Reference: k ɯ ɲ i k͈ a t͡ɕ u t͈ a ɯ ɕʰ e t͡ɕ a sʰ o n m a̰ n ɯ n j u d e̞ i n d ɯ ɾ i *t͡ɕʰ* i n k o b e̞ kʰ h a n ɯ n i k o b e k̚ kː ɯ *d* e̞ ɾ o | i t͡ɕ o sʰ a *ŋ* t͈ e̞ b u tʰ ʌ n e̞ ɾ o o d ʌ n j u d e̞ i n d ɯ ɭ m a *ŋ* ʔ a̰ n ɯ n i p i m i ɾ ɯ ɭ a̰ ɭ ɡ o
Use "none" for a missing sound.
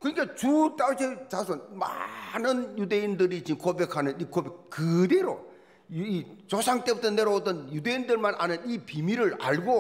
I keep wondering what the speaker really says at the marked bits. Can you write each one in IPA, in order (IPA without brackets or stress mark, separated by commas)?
t͡ɕ, d, ŋ, n